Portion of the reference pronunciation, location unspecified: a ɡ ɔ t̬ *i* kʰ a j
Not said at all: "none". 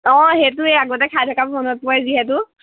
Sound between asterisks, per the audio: ɛ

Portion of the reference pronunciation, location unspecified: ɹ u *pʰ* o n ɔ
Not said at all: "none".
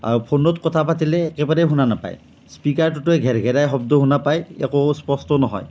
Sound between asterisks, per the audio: pʰ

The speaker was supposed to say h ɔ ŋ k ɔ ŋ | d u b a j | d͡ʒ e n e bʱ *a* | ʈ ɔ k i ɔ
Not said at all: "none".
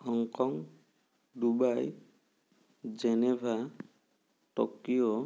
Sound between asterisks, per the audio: a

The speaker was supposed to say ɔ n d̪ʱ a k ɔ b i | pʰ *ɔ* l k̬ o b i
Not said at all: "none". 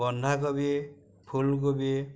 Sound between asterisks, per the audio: u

